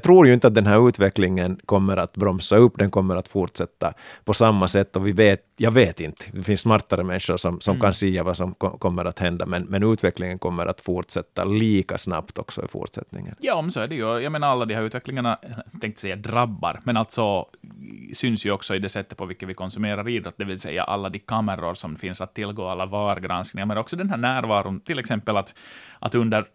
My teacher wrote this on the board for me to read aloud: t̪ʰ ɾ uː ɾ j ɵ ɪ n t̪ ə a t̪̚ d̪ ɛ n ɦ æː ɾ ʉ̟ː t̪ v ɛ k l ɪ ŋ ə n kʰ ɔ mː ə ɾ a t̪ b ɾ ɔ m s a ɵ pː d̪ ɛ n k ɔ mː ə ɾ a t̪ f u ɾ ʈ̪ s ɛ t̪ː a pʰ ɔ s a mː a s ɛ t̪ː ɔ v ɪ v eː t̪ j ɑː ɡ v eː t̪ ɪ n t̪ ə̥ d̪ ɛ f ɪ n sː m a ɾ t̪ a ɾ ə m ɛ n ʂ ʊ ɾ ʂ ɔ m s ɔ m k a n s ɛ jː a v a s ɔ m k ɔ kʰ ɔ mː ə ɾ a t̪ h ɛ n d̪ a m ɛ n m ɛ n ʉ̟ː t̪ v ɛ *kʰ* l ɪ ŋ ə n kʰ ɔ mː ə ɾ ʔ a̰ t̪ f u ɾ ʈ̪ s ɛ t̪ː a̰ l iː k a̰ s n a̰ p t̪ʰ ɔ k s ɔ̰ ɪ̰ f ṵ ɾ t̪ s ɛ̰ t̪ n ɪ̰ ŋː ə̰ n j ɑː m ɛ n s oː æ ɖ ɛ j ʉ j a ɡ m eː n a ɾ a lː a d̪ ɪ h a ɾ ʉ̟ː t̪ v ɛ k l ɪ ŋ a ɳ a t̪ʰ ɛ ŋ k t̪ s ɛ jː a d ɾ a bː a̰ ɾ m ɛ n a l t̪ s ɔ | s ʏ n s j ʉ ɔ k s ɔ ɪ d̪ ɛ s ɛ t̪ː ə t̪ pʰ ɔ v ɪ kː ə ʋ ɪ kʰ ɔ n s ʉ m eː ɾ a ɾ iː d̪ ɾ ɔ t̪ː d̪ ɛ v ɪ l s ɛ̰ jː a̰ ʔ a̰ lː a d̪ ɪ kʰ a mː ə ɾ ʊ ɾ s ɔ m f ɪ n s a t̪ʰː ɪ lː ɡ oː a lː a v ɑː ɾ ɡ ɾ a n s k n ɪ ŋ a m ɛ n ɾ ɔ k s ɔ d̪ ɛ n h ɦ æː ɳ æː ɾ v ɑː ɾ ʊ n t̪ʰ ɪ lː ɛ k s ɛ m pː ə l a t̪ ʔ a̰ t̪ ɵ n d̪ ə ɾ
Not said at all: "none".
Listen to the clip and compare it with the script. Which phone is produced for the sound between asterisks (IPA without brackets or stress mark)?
k